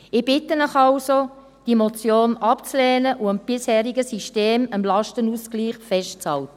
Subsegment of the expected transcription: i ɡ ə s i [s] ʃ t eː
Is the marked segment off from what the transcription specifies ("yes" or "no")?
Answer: yes